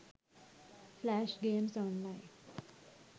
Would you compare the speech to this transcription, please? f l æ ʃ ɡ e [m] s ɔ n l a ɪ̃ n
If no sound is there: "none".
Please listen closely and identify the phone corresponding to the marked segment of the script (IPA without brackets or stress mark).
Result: m